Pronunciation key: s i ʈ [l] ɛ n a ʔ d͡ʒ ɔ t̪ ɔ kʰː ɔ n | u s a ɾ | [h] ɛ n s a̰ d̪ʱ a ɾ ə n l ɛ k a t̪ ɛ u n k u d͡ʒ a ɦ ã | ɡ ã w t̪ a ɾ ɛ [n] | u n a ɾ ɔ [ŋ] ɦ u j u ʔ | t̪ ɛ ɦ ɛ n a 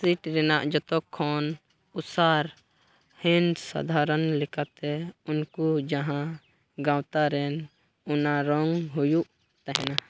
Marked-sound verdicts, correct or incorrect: incorrect, correct, correct, correct

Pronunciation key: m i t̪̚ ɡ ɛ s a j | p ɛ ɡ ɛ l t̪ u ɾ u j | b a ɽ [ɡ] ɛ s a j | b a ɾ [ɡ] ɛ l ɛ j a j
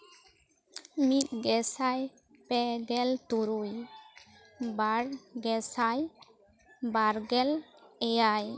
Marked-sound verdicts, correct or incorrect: correct, correct

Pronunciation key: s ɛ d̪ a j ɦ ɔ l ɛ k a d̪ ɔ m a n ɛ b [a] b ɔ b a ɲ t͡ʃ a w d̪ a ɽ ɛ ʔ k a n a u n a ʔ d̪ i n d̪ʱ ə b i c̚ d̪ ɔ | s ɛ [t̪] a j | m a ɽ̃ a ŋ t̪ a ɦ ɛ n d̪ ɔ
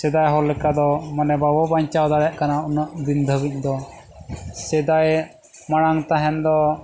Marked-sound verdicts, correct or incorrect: correct, incorrect

